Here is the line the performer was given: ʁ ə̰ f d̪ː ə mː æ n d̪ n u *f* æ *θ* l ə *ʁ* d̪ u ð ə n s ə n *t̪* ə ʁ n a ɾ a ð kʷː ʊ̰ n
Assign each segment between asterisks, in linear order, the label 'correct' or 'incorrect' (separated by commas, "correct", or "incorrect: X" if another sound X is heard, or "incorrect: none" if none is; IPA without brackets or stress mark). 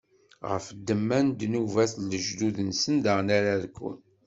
incorrect: v, correct, incorrect: ʒ, incorrect: d̪